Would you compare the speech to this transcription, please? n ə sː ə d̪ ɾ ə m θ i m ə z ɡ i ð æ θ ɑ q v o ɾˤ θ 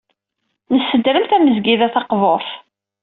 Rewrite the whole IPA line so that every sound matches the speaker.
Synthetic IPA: n ə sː ə d̪ ɾ ə m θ æ m ə z ɡ i ð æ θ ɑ q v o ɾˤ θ